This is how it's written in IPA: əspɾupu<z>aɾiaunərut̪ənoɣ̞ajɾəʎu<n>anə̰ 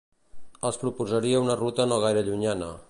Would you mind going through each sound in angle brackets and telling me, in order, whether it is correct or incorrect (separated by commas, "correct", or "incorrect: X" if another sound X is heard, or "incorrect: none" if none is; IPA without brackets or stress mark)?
correct, incorrect: ɲ